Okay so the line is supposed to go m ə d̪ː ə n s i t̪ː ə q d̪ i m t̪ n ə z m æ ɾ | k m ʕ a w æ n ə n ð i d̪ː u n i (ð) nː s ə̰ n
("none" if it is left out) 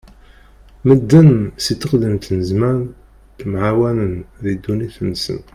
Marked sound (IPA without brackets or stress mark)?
θ